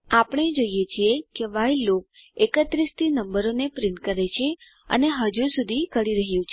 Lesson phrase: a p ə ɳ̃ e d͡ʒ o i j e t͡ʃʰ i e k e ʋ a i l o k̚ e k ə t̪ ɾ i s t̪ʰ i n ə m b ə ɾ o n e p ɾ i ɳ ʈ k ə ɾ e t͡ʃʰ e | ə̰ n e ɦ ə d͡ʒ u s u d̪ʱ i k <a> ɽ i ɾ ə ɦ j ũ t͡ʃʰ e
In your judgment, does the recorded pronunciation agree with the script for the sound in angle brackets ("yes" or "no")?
no